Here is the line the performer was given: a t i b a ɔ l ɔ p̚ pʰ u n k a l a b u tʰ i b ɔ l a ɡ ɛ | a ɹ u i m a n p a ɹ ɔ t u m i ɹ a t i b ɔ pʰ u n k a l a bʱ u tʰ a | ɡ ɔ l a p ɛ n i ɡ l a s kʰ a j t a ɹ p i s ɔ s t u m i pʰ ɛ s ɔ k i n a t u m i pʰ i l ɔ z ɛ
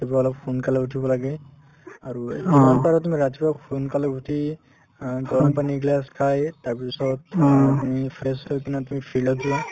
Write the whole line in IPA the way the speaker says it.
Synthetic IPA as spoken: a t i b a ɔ l ɔ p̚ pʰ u n k a l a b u tʰ i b ɔ l a ɡ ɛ | a ɹ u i m a n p a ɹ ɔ t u m i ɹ a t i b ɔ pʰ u n k a l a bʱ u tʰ i | ɡ ɔ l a p a n i ɡ l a s kʰ a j t a ɹ p i s ɔ t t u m i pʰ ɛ s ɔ k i n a t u m i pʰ i l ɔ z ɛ